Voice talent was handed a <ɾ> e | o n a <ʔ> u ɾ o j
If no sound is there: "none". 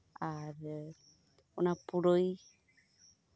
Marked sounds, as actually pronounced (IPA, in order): ɾ, p

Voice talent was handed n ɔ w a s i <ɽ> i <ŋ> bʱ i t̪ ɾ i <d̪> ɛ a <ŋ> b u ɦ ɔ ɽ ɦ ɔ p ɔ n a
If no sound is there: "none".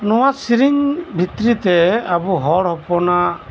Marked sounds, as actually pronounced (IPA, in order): ɾ, ŋ, t̪, none

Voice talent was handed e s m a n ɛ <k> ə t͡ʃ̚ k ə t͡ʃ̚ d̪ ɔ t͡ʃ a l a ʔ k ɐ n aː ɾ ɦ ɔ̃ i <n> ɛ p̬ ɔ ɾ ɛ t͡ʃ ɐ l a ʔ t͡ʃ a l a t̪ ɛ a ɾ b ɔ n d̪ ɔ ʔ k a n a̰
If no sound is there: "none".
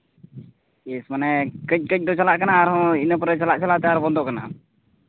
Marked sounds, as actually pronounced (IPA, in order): k, n

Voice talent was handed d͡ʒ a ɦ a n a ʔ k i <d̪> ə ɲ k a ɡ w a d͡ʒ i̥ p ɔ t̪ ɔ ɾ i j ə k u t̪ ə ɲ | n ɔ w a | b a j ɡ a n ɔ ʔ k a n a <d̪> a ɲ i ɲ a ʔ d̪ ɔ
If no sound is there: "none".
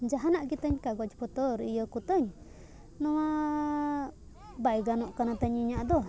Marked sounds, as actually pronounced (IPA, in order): t̪, t̪

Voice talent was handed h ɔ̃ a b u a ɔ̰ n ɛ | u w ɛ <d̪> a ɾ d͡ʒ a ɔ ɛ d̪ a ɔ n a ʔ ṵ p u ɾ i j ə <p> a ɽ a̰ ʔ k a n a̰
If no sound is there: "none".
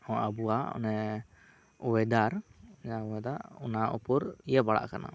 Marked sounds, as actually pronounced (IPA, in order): d̪, b

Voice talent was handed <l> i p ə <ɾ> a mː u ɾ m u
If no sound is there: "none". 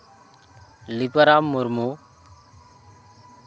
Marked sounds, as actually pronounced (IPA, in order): l, ɾ

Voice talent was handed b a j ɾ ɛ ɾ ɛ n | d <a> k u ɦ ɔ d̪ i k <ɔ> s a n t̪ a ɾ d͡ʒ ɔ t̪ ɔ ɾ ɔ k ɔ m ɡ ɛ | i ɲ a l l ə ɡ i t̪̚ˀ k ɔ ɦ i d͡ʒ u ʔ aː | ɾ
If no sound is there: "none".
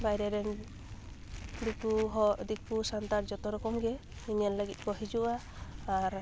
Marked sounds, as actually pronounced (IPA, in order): i, u

